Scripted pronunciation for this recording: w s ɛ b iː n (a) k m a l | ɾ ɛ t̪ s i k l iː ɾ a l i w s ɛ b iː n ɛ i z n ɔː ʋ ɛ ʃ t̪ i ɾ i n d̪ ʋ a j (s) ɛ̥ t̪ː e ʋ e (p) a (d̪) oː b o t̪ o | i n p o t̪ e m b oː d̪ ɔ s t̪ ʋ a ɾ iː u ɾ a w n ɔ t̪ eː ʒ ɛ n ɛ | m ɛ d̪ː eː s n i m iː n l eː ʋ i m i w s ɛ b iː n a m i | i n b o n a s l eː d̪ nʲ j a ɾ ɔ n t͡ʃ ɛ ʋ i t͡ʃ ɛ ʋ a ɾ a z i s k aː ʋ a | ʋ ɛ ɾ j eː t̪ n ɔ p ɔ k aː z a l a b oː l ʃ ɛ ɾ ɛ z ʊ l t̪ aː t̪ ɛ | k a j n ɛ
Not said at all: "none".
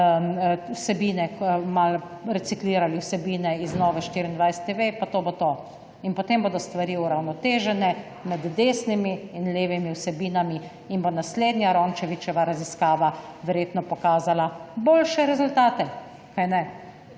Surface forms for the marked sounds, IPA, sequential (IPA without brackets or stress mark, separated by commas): ɛ, s, p, t̪